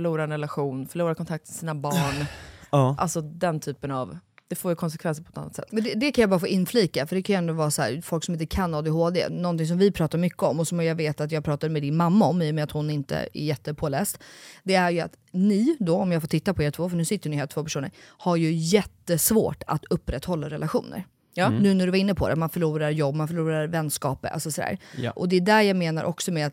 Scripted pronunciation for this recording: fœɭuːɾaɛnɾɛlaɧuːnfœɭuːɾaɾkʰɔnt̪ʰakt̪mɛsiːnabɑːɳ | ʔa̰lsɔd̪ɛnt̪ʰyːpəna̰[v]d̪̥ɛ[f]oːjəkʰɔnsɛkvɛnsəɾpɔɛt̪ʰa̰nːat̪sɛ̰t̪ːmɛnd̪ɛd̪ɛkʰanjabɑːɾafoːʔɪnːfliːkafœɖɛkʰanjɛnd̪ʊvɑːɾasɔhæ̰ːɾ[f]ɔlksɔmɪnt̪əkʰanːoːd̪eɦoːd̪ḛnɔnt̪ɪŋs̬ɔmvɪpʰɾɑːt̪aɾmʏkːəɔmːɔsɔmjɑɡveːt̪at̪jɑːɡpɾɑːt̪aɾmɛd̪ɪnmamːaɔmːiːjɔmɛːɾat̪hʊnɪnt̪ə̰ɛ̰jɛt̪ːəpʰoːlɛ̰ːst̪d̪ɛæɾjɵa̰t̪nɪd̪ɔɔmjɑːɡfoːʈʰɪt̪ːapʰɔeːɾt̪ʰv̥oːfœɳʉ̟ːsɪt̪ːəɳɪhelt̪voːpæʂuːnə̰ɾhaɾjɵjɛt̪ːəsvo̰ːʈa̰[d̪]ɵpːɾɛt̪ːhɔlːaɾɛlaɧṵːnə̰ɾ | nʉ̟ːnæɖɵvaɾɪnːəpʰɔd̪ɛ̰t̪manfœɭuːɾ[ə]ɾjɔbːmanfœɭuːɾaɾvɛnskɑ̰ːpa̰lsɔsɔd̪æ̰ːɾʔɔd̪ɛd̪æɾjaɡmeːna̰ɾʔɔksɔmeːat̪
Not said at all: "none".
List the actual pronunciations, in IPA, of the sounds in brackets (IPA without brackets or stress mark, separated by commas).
v, f, f, t̪, a